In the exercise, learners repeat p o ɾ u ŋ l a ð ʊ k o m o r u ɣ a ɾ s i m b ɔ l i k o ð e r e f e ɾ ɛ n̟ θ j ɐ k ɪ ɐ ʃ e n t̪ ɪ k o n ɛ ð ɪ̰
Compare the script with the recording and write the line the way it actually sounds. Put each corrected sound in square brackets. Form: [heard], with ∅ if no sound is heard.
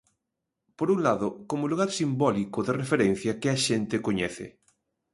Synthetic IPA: p o ɾ u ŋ l a ð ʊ k o m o [l] u ɣ a ɾ s i m b ɔ l i k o ð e r e f e ɾ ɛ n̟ θ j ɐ k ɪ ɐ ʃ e n t̪ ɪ k o [ɲ] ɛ [θ] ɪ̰

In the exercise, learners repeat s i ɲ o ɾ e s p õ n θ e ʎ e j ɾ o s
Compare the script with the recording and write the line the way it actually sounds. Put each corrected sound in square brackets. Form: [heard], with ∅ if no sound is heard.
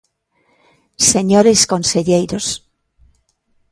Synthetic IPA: s [e] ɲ o ɾ e s [k] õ n [s] e ʎ e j ɾ o s

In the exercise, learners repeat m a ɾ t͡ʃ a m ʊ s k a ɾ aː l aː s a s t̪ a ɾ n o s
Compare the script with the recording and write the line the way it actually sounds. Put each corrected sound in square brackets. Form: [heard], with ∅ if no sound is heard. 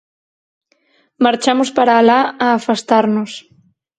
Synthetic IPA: m a ɾ t͡ʃ a m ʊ s [p] a ɾ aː l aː [f] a s t̪ a ɾ n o s

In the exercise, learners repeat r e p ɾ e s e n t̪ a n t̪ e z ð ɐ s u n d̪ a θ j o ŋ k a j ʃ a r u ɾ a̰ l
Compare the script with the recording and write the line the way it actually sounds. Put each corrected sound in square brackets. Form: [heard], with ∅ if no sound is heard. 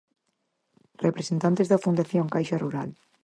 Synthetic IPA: r e p ɾ e s e n t̪ a n t̪ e z ð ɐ [f] u n d̪ a θ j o ŋ k a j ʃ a r u ɾ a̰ l

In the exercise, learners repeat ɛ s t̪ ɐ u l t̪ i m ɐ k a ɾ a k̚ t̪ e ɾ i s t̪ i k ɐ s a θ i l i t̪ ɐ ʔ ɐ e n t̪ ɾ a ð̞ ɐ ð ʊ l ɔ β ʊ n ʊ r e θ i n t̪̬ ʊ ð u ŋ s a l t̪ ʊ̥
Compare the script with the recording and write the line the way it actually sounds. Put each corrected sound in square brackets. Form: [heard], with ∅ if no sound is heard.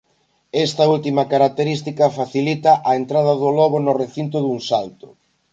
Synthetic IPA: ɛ s t̪ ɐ u l t̪ i m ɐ k a ɾ a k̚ t̪ e ɾ i s t̪ i k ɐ [f] a θ i l i t̪ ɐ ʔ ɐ e n t̪ ɾ a ð̞ ɐ ð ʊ l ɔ β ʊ n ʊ r e θ i n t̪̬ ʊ ð u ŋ s a l t̪ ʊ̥

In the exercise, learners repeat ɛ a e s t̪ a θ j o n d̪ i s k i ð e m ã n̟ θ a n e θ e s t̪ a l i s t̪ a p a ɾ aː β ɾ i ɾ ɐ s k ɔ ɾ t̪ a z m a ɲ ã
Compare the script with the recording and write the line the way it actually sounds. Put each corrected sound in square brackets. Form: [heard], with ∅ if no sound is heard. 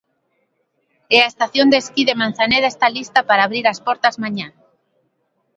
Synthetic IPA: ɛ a e s t̪ a θ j o n d̪ [e] s k i ð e m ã n̟ θ a n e [ð] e s t̪ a l i s t̪ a p a ɾ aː β ɾ i ɾ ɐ s [p] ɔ ɾ t̪ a z m a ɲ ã

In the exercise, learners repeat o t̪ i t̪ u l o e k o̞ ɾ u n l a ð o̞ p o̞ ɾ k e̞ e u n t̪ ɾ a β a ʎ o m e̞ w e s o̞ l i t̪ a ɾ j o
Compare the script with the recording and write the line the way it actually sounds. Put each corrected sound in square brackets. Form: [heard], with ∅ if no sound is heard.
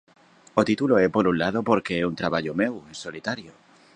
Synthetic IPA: o t̪ i t̪ u l o e [p] o̞ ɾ u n l a ð o̞ p o̞ ɾ k e̞ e u n t̪ ɾ a β a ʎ o m e̞ w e s o̞ l i t̪ a ɾ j o

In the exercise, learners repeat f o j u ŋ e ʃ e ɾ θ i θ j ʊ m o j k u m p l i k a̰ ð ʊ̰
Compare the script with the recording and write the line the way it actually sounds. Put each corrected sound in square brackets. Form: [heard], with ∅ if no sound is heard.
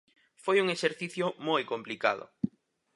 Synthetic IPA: f o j u ŋ e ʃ e ɾ θ i θ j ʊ m o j k [o] m p l i k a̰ ð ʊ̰

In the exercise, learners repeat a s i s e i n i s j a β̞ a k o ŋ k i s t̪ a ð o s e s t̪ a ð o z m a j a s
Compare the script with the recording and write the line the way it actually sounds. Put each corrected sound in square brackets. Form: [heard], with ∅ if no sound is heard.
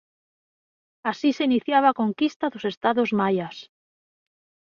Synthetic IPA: a s i s e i n i [θ] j a β̞ a k o ŋ k i s t̪ a ð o s e s t̪ a ð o z m a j a s

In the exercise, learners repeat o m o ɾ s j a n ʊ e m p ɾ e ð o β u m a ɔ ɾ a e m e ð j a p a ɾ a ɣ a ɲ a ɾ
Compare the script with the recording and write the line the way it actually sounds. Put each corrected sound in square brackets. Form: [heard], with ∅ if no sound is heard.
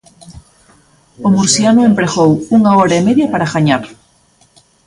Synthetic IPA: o m [u] ɾ s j a n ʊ e m p ɾ e [ɣ] o [w] u [ŋ] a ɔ ɾ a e m e ð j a p a ɾ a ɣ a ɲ a ɾ

